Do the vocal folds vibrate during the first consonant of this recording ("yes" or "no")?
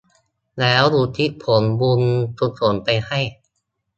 yes